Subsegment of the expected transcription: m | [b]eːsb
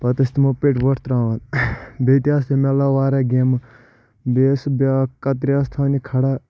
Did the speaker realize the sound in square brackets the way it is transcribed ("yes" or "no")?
yes